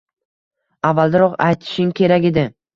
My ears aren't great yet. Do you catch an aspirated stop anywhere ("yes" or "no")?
yes